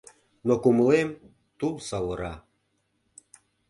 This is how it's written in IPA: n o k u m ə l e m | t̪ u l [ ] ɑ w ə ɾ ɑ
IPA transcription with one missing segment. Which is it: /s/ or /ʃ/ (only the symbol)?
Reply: s